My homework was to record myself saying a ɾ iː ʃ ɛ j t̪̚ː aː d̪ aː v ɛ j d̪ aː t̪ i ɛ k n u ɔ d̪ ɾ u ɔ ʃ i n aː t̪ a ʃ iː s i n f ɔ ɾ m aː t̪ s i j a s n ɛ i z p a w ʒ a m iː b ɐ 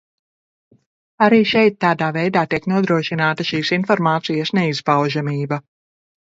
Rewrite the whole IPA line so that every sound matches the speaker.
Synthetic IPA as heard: a ɾ iː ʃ ɛ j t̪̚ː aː d̪ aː v ɛ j d̪ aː t̪ i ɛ k n u ɔ d̪ ɾ u ɔ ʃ i n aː t̪ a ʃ iː s i n f ɔ ɾ m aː t̪ s i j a s n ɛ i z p a w ʒ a m iː b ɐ